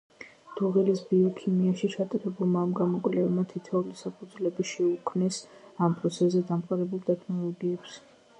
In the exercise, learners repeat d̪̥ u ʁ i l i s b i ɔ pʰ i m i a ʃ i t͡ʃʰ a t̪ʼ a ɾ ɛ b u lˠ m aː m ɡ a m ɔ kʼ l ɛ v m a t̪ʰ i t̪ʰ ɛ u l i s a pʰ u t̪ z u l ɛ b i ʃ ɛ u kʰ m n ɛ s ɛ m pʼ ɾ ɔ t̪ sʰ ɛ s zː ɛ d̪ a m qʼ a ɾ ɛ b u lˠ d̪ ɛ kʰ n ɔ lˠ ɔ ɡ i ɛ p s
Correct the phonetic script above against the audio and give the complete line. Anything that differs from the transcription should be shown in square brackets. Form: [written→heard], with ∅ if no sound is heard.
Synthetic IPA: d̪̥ u ʁ i l i s b i ɔ [pʰ→kʰ] i m i a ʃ i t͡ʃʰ a t̪ʼ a ɾ ɛ b u lˠ m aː m ɡ a m ɔ kʼ l ɛ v m a t̪ʰ i t̪ʰ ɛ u l i s a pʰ u [t̪→d̪] z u l ɛ b i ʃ ɛ u kʰ m n ɛ s [ɛ→a] m pʼ ɾ ɔ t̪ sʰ ɛ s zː ɛ d̪ a m qʼ a ɾ ɛ b u lˠ d̪ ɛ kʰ n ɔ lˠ ɔ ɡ i ɛ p s

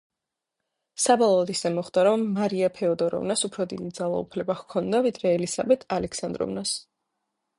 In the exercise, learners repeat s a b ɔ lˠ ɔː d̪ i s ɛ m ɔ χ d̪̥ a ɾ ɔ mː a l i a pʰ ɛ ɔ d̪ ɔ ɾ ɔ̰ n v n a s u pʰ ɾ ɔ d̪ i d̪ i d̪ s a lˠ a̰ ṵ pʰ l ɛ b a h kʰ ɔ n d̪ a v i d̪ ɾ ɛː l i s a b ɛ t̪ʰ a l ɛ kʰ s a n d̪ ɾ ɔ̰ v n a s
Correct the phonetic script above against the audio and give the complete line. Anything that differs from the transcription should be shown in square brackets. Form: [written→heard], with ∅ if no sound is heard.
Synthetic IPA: s a b ɔ lˠ ɔː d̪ i s ɛ m ɔ χ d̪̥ a ɾ ɔ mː a [l→ɾ] i a pʰ ɛ ɔ d̪ ɔ ɾ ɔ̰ [n→∅] v n a s u pʰ ɾ ɔ d̪ i d̪ i d̪ [s→z] a lˠ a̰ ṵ pʰ l ɛ b a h kʰ ɔ n d̪ a v i d̪ ɾ ɛː l i s a b ɛ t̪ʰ a l ɛ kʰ s a n d̪ ɾ ɔ̰ v n a s

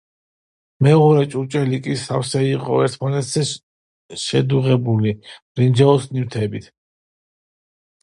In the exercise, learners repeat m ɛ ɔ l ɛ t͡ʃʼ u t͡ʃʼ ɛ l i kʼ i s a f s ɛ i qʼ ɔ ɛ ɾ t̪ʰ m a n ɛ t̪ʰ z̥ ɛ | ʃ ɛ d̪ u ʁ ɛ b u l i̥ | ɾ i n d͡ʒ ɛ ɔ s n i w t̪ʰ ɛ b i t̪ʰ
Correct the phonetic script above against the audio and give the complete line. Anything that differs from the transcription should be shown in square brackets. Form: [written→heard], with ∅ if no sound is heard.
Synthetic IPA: m ɛ ɔ [l→ɾ] ɛ t͡ʃʼ u t͡ʃʼ ɛ l i kʼ i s a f s ɛ i qʼ ɔ ɛ ɾ t̪ʰ m a n ɛ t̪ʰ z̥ ɛ | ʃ ɛ d̪ u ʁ ɛ b u l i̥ | ɾ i n d͡ʒ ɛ ɔ s n i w t̪ʰ ɛ b i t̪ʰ

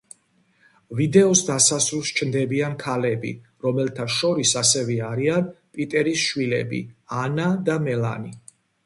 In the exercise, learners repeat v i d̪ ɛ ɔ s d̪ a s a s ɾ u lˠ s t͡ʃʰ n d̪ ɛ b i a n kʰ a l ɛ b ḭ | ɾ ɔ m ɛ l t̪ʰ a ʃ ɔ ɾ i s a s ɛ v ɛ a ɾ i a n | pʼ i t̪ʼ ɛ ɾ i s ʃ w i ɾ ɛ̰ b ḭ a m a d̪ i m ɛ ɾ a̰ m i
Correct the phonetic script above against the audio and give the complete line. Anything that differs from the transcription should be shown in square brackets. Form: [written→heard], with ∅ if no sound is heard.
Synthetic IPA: v i d̪ ɛ ɔ s d̪ a s a s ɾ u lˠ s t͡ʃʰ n d̪ ɛ b i a n kʰ a l ɛ b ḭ | ɾ ɔ m ɛ l t̪ʰ a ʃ ɔ ɾ i s a s ɛ v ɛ a ɾ i a n | pʼ i t̪ʼ ɛ ɾ i s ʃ w i [ɾ→l] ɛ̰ b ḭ a [m→n] a d̪ [i→a] m ɛ [ɾ→l] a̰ [m→n] i

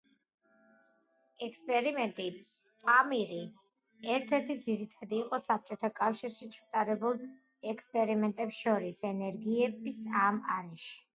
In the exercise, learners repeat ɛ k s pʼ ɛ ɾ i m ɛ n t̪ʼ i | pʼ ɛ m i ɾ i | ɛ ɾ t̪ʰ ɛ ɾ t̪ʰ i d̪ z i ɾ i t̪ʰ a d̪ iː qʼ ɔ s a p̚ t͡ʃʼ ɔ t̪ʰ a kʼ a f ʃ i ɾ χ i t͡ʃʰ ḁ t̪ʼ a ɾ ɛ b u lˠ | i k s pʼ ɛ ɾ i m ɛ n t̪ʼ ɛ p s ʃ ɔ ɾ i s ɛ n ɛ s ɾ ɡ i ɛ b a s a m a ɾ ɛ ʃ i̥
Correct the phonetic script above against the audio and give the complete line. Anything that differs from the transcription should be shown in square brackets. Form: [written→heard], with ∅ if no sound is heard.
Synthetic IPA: ɛ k s pʼ ɛ ɾ i m ɛ n t̪ʼ i | pʼ [ɛ→a] m i ɾ i | ɛ ɾ t̪ʰ ɛ ɾ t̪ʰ i d̪ z i ɾ i t̪ʰ a d̪ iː qʼ ɔ s a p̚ t͡ʃʼ ɔ t̪ʰ a kʼ a f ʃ i ɾ [χ→ʃ] i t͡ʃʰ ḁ t̪ʼ a ɾ ɛ b u lˠ | [i→ɛ] k s pʼ ɛ ɾ i m ɛ n t̪ʼ ɛ p s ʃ ɔ ɾ i s ɛ n ɛ [s→∅] ɾ ɡ i ɛ b [a→i] s a m a ɾ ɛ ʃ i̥

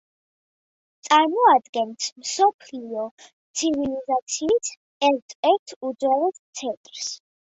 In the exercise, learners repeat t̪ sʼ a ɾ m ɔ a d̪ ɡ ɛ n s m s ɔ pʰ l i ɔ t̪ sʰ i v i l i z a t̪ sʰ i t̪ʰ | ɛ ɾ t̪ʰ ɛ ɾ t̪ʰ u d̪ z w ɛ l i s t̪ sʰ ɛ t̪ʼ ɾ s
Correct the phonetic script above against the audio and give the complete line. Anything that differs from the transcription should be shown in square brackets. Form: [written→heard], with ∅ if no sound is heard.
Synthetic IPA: t̪ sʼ a ɾ m ɔ a d̪ ɡ ɛ n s m s ɔ pʰ l i ɔ t̪ sʰ i v i l i z a t̪ sʰ [i→iː] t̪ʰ | ɛ ɾ t̪ʰ ɛ ɾ t̪ʰ u d̪ z w ɛ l [i→ɛ] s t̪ sʰ ɛ t̪ʼ ɾ s

